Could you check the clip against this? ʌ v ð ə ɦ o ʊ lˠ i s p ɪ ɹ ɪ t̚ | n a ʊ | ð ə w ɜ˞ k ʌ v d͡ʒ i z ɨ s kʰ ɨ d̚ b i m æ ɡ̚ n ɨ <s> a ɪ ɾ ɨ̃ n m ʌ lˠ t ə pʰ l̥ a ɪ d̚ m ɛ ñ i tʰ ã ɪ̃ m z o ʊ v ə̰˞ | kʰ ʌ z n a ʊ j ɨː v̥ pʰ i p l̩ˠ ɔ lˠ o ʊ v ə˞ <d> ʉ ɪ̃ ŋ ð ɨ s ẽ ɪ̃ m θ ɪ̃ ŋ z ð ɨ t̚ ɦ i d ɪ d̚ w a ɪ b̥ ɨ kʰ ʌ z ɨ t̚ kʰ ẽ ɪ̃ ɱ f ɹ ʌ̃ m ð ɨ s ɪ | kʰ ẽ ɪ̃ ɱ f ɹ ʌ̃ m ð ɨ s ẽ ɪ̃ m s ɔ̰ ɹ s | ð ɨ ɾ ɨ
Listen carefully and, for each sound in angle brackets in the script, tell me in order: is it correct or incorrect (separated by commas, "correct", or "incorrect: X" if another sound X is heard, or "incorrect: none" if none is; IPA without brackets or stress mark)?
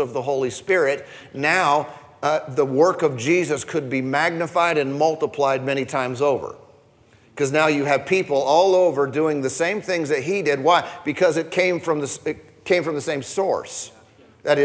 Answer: incorrect: f, correct